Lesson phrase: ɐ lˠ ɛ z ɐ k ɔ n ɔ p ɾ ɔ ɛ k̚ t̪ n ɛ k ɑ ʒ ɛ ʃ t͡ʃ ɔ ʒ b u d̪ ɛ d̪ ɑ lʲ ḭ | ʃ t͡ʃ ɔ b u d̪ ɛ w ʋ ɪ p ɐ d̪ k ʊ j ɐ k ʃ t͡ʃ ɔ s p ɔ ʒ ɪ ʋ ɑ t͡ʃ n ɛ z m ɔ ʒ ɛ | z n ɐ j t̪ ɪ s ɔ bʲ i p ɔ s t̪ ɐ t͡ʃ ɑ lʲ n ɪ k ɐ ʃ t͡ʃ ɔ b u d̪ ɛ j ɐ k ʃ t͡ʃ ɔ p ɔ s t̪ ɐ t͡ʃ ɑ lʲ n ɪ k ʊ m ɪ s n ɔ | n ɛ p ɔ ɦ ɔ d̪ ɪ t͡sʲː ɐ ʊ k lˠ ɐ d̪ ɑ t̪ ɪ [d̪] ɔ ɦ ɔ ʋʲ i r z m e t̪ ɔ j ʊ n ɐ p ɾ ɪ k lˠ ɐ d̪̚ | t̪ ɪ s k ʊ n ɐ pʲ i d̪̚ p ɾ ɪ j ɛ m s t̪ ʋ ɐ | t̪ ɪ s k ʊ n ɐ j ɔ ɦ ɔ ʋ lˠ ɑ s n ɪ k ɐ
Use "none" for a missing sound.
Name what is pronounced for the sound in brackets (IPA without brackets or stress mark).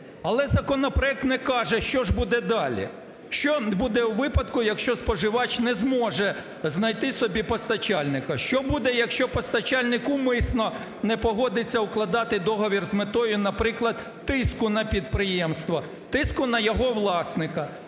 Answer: d̪